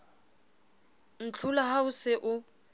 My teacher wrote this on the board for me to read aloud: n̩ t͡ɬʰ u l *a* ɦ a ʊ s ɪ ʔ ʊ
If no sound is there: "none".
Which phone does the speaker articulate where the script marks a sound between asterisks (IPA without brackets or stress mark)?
a